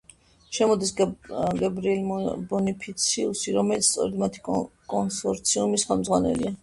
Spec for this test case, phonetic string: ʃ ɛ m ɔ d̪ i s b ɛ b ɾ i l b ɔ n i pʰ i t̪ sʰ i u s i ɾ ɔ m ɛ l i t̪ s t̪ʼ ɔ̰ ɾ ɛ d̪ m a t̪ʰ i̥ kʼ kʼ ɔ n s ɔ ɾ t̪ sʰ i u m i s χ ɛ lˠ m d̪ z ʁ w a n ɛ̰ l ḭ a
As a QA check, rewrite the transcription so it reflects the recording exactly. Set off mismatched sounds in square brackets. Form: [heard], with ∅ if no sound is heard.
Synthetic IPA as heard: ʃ ɛ m ɔ d̪ i s [ɡ] ɛ b ɾ i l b ɔ n i pʰ i t̪ sʰ i u s i ɾ ɔ m ɛ l i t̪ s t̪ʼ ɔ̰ ɾ ɛ d̪ m a t̪ʰ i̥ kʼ kʼ ɔ n s ɔ ɾ t̪ sʰ i u m i s χ ɛ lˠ m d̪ z ʁ w a n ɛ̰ l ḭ a